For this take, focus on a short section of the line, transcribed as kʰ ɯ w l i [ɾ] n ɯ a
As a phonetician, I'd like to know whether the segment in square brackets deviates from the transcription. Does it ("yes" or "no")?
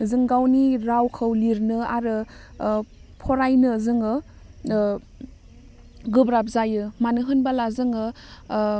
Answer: no